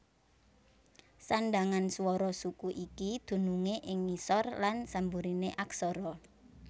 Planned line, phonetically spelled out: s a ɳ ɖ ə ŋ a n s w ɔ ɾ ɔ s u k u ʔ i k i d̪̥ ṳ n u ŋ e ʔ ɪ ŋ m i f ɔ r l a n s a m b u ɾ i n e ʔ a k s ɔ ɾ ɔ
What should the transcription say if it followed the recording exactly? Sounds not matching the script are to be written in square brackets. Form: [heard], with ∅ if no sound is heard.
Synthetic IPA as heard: s a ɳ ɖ [a] ŋ a n s w ɔ ɾ ɔ s u k u ʔ i k i d̪̥ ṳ n u ŋ e ʔ ɪ ŋ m i [s] ɔ r l a n s a m b u ɾ i n e ʔ a k s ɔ ɾ ɔ